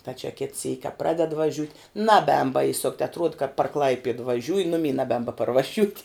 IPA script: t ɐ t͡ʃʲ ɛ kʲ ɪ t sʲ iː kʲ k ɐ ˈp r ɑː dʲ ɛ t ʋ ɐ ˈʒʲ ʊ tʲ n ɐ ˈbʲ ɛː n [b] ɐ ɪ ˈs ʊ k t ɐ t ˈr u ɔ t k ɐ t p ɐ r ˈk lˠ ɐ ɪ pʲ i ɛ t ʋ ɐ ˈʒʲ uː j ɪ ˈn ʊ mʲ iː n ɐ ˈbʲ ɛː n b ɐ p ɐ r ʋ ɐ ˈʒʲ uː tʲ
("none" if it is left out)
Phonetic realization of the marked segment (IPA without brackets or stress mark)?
b